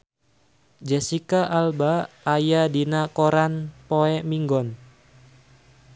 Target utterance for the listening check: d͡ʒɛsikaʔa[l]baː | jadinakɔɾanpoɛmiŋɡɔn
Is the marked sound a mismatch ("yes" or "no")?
no